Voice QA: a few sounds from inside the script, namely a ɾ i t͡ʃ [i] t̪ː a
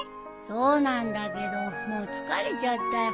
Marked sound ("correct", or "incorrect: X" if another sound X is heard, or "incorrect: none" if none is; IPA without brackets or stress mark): incorrect: a